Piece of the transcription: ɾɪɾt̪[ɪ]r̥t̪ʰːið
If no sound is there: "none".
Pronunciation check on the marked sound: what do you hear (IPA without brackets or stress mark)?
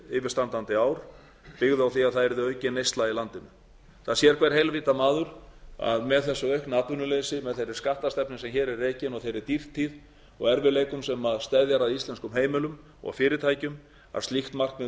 i